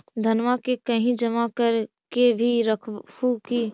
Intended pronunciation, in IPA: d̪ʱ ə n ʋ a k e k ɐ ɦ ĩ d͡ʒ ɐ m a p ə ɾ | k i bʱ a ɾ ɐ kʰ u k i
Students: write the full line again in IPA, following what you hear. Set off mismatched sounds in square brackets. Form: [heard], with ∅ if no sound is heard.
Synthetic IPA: d̪ʱ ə n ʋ a k e k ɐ ɦ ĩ d͡ʒ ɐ m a [k] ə ɾ | k [e] bʱ [i] ɾ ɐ kʰ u k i